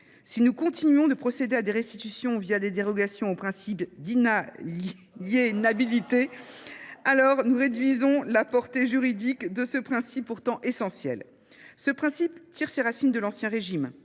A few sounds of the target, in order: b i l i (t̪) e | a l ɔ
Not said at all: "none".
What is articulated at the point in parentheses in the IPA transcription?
t̪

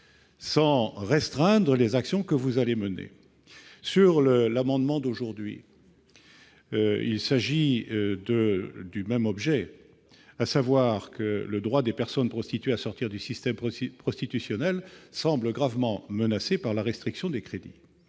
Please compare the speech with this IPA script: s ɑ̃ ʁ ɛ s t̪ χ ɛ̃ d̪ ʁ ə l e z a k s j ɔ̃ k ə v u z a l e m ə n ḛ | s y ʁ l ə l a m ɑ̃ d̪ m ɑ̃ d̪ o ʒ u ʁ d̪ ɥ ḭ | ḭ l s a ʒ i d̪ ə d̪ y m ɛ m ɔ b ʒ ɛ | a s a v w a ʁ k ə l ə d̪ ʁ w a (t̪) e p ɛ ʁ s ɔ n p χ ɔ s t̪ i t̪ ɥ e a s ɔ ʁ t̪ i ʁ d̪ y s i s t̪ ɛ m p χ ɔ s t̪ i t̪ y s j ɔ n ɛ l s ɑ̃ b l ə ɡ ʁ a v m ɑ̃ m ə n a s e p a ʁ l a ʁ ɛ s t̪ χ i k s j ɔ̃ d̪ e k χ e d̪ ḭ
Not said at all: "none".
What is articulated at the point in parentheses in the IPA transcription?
d̪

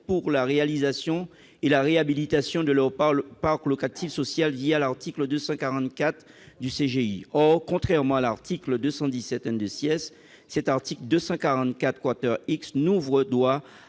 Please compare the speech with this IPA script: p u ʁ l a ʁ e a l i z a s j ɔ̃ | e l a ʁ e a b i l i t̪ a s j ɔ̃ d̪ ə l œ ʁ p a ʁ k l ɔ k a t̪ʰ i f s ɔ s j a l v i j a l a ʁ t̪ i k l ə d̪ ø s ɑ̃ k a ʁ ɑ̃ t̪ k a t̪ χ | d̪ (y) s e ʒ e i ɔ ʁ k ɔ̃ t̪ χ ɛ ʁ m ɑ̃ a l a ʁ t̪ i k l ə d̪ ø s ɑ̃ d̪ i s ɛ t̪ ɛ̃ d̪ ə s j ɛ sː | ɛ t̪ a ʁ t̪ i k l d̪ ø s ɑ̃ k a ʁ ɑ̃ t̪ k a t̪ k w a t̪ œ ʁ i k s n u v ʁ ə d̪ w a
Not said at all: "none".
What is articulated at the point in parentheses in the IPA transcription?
y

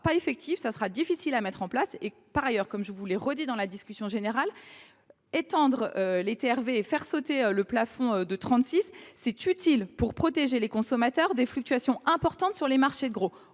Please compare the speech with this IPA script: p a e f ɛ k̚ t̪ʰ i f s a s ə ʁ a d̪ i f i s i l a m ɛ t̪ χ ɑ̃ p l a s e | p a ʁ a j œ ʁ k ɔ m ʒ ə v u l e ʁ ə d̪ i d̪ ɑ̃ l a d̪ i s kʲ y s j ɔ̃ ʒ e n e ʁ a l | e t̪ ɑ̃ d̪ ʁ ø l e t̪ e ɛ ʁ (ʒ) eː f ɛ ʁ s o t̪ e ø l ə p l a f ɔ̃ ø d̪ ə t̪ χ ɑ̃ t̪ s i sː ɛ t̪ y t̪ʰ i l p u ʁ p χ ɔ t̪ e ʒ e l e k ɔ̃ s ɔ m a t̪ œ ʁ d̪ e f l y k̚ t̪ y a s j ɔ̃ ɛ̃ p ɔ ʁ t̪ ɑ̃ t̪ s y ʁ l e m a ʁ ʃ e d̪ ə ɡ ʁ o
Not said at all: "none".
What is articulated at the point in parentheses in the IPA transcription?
v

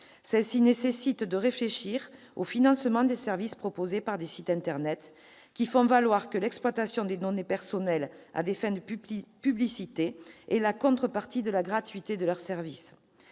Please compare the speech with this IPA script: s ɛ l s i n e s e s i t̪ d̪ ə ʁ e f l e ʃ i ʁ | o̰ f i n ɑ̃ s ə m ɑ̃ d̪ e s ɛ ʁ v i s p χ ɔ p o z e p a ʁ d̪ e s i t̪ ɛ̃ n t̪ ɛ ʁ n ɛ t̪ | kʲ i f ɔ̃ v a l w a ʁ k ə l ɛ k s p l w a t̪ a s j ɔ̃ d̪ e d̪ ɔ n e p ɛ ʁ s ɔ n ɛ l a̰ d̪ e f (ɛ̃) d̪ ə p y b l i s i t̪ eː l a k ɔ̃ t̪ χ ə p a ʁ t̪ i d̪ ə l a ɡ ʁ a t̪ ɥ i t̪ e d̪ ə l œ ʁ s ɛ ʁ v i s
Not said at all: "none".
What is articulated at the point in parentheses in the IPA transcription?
ɛ̃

